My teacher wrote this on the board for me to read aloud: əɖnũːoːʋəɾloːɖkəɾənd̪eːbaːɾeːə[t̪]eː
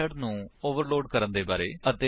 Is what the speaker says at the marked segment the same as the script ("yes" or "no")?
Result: yes